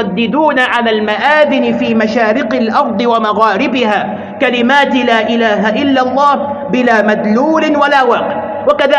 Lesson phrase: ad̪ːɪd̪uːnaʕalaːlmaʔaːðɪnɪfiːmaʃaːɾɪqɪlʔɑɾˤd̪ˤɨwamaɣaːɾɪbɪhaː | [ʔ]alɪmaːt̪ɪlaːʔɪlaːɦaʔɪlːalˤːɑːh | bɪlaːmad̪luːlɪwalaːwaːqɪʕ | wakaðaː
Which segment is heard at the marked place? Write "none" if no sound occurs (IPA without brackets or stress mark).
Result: k